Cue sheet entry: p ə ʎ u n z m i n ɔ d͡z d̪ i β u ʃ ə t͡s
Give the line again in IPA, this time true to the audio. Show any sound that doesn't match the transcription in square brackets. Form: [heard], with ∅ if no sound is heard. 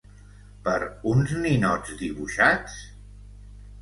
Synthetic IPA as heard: p ə [ɾ] u n z [n] i n ɔ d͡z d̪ i β u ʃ [a] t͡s